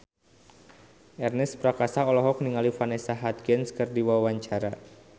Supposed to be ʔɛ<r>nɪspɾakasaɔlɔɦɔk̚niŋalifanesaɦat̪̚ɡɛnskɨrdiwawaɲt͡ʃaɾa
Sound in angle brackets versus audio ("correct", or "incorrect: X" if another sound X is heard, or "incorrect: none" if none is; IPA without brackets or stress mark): correct